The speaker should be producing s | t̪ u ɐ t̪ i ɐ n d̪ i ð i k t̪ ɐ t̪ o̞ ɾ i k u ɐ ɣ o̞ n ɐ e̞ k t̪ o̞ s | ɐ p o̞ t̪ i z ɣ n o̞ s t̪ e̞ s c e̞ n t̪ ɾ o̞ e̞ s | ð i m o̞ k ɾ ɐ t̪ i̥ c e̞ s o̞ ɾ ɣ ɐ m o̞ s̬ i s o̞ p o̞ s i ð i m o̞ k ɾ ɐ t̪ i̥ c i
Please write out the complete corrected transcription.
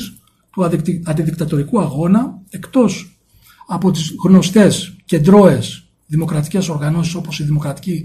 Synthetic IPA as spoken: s | t̪ u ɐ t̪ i ɐ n d̪ i ð i k t̪ ɐ t̪ o̞ ɾ i k u ɐ ɣ o̞ n ɐ e̞ k t̪ o̞ s | ɐ p o̞ t̪ i z ɣ n o̞ s t̪ e̞ s c e̞ n d̪ ɾ o̞ e̞ s | ð i m o̞ k ɾ ɐ t̪ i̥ c e̞ s o̞ ɾ ɣ ɐ n o̞ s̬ i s o̞ p o̞ s i ð i m o̞ k ɾ ɐ t̪ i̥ c i